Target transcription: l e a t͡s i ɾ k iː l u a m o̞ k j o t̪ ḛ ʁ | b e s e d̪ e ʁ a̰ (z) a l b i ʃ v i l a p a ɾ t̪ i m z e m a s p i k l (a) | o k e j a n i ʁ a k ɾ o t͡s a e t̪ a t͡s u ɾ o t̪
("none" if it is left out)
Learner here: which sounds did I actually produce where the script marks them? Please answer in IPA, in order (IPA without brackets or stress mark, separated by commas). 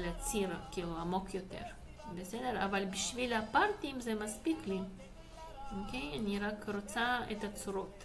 v, i